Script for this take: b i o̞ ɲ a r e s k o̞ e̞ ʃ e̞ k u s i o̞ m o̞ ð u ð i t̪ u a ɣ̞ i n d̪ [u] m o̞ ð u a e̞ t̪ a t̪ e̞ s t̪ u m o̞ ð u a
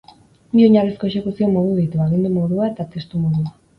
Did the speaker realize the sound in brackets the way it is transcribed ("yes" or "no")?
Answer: yes